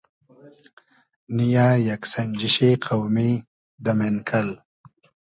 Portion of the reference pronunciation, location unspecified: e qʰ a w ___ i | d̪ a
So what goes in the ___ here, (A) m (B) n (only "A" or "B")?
A